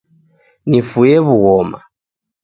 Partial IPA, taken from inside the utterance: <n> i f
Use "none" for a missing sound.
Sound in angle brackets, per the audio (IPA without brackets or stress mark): n